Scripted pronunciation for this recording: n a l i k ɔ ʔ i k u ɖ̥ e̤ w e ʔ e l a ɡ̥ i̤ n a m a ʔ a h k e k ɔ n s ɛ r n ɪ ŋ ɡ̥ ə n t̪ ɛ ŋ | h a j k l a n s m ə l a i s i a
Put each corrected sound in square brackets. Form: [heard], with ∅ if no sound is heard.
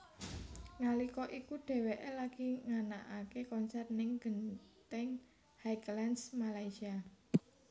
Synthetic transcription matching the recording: [ŋ] a l i k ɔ ʔ i k u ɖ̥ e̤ w e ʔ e l a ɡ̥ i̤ [ŋ] a [n] a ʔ a [∅] k e k ɔ n s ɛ r n ɪ ŋ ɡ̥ ə n t̪ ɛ ŋ | h a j k l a n s m [a] l a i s i a